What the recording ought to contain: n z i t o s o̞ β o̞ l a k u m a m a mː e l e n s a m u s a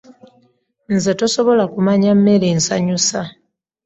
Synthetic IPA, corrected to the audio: n z e t o s o̞ β o̞ l a k u m a ɲ a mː e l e n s a ɲ u s a